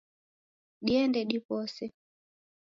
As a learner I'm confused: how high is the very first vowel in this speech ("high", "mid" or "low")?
high